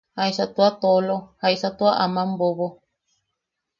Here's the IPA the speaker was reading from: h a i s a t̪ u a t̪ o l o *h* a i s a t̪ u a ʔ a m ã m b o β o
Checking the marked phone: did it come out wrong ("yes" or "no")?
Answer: no